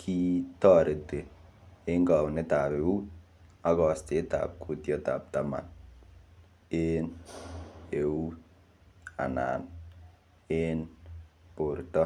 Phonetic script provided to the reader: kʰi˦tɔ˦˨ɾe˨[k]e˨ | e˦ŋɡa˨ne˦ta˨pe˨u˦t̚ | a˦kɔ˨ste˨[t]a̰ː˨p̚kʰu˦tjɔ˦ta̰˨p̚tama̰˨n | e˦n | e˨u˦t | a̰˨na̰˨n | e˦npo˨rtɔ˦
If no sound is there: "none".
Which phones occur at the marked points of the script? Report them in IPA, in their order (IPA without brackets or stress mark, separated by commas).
t, t